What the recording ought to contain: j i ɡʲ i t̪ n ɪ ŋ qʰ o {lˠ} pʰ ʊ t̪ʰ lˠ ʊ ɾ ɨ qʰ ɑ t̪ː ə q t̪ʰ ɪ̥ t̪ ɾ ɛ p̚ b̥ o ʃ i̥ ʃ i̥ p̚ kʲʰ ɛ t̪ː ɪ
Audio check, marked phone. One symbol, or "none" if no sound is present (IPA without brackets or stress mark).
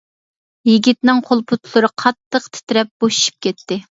lˠ